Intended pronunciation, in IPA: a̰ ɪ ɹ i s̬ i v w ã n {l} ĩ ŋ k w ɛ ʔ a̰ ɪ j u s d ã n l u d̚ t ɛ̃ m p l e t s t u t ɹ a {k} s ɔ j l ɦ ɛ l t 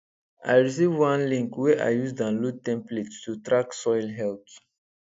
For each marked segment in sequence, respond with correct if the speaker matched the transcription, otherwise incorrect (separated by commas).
correct, correct